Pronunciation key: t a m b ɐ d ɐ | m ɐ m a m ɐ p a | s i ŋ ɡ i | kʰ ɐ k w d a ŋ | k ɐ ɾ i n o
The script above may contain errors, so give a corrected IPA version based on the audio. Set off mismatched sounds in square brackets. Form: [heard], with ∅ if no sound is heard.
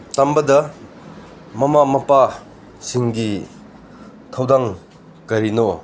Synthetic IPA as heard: t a m b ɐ d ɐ | m ɐ m a m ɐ p a | s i ŋ ɡ i | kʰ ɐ [∅] w d a ŋ | k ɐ ɾ i n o